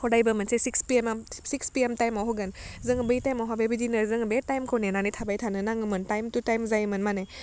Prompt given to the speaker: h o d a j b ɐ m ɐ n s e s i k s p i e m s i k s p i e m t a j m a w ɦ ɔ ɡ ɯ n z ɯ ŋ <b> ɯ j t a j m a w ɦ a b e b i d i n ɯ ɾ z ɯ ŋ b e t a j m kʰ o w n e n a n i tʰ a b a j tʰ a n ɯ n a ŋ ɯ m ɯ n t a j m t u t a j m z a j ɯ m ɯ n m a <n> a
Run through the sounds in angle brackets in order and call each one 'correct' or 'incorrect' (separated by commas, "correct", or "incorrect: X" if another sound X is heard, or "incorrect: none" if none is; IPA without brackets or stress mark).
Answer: correct, correct